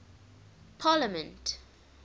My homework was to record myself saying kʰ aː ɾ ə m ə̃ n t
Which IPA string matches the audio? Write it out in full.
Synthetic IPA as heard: pʰ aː l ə m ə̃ n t